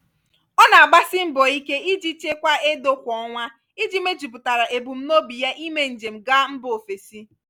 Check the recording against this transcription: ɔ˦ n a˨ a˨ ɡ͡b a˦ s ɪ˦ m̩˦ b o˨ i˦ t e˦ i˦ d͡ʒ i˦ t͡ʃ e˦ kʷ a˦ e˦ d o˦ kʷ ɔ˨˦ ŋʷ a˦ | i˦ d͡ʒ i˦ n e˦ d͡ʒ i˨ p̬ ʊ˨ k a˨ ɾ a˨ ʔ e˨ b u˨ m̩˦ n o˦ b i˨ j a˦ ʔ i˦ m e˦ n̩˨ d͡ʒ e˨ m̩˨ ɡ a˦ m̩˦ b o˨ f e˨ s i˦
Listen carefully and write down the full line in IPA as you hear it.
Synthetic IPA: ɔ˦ n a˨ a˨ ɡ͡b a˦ s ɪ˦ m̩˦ b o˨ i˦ k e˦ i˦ d͡ʒ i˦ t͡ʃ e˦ kʷ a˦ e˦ d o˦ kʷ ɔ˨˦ ŋʷ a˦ | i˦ d͡ʒ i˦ m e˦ d͡ʒ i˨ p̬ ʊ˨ t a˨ ɾ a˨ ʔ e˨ b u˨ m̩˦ n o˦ b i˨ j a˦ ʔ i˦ m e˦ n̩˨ d͡ʒ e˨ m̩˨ ɡ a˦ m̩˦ b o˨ f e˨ s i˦